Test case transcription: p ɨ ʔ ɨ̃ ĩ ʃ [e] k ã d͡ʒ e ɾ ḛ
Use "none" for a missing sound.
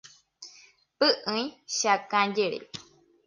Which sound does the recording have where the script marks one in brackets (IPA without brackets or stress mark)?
a